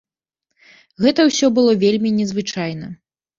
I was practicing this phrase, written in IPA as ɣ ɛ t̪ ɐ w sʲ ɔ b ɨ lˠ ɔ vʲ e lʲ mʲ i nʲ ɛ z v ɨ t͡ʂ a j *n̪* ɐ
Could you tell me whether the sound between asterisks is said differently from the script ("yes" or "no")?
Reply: no